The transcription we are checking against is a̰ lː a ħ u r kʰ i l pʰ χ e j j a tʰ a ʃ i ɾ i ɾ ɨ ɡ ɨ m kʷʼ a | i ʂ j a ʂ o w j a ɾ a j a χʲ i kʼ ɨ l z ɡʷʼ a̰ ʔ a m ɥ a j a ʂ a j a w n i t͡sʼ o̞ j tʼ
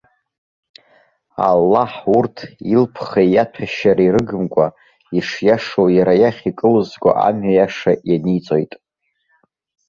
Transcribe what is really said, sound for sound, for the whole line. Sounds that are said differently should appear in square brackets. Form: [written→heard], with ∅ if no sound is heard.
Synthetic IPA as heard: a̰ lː a ħ u r [kʰ→tʰ] i l pʰ χ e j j a tʰ a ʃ [i→a] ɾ i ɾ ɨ ɡ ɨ m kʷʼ a | i ʂ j a ʂ o w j a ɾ a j a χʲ i kʼ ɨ l z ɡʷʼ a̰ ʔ a m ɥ a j a ʂ a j a [w→∅] n i t͡sʼ o̞ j tʼ